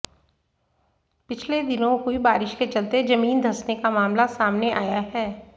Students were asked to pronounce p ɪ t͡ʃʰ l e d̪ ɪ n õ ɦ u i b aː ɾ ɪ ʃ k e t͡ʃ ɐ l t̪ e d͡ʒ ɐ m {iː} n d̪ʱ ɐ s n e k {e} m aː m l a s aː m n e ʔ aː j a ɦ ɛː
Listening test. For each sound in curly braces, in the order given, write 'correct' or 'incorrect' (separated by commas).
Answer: correct, incorrect